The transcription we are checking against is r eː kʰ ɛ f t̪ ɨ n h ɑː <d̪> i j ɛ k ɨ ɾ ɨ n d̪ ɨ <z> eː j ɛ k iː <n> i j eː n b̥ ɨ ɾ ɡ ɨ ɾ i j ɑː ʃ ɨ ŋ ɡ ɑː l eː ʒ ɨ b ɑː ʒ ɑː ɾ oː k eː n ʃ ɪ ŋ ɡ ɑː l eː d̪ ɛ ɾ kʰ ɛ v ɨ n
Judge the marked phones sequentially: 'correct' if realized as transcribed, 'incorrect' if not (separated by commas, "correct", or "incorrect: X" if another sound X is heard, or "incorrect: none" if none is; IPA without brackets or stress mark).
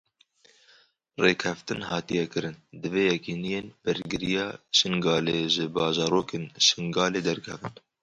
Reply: incorrect: t̪, incorrect: v, correct